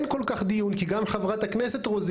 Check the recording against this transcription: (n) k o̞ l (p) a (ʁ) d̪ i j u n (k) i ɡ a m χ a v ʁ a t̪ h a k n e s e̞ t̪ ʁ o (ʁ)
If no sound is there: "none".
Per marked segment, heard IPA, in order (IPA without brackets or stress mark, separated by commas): n, k, χ, k, z